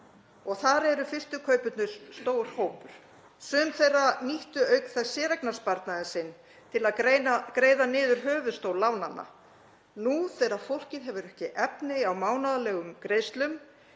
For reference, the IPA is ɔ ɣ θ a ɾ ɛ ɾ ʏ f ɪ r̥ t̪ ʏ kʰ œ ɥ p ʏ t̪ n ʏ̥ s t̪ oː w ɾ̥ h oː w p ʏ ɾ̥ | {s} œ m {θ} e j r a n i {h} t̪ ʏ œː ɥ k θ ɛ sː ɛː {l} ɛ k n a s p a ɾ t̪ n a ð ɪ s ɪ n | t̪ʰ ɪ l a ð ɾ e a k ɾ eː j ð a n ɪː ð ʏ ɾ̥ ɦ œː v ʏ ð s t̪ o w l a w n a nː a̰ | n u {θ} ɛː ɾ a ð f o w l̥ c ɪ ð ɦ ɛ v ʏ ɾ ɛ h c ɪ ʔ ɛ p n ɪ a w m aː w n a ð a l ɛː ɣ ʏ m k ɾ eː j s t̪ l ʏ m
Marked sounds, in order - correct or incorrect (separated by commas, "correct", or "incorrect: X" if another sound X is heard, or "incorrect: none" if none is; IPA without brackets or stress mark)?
correct, correct, correct, incorrect: ɾ, correct